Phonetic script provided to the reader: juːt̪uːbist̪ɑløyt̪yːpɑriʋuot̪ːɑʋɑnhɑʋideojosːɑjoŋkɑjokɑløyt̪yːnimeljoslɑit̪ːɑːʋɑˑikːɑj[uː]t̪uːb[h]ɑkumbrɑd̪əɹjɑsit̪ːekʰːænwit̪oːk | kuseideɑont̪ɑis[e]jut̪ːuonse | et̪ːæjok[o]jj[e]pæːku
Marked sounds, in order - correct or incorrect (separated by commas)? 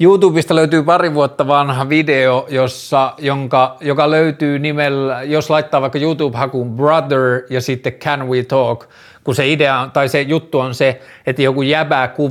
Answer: correct, correct, correct, incorrect, incorrect